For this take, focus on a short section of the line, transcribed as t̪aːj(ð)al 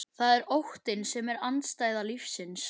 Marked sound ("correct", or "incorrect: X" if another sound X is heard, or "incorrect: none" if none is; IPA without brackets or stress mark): correct